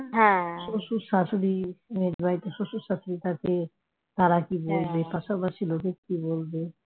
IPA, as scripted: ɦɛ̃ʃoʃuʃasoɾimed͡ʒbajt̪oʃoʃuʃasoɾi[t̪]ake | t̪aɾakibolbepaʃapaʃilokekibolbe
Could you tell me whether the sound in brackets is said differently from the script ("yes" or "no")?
no